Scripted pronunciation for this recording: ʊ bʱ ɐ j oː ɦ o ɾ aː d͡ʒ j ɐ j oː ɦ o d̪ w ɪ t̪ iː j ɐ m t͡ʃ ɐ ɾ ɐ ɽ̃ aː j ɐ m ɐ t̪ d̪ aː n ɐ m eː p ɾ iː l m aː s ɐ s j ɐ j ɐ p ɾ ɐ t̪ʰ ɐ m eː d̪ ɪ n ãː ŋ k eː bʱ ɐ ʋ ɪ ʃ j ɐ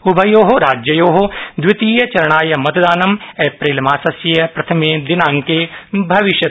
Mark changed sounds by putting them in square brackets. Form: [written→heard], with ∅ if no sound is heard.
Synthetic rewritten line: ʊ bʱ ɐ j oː ɦ o ɾ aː d͡ʒ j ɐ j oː ɦ o d̪ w ɪ t̪ iː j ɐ [m→∅] t͡ʃ ɐ ɾ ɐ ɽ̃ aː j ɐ m ɐ t̪ d̪ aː n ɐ m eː p ɾ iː l m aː s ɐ s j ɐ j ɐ p ɾ ɐ t̪ʰ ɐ m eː d̪ ɪ n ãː ŋ k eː bʱ ɐ ʋ ɪ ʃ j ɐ